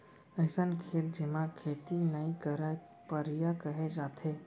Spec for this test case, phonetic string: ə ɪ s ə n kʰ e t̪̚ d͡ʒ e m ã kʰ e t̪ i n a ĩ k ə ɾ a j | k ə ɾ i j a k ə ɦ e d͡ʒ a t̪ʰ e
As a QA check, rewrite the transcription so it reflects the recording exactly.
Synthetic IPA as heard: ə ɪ s ə n kʰ e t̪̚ d͡ʒ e m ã kʰ e t̪ i n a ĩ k ə ɾ a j | p ə ɾ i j a k ə ɦ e d͡ʒ a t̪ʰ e